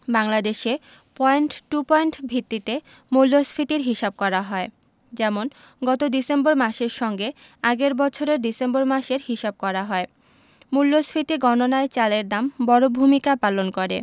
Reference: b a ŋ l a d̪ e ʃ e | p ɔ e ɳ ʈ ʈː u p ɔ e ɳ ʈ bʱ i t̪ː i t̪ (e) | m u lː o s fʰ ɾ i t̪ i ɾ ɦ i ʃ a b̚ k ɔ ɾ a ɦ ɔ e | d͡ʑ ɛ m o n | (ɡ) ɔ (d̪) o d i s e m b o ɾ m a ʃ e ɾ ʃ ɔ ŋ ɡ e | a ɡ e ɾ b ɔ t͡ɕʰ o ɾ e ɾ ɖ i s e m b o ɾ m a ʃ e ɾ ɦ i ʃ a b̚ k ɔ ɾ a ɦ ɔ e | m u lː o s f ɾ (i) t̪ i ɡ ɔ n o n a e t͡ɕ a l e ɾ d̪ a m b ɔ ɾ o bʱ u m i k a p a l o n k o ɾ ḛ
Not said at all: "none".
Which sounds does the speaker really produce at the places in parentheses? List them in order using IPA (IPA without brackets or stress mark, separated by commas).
e, ɡ, t̪, i